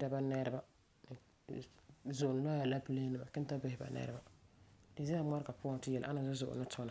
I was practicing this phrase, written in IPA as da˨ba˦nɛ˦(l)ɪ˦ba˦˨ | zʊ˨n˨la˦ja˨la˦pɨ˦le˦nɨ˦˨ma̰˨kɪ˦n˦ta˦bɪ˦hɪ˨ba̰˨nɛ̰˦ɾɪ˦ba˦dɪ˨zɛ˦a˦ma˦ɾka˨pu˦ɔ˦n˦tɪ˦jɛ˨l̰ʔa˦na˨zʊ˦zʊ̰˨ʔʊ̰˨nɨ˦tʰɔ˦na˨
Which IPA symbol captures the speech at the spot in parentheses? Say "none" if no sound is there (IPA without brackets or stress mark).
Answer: ɾ